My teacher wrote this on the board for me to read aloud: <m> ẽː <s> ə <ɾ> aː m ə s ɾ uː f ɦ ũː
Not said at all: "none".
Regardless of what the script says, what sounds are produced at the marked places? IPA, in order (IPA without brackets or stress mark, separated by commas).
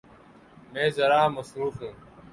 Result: m, z, ɾ